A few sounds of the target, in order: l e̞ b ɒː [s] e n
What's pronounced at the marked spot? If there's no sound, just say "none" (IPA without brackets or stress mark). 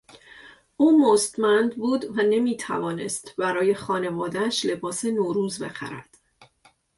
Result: s